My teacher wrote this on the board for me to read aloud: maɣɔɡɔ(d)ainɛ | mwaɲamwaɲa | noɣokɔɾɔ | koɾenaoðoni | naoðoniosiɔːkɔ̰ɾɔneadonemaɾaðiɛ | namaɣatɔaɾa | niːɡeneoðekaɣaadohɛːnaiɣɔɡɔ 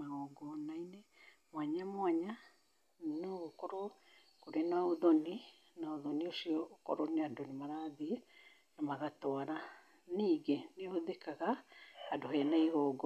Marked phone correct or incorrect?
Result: incorrect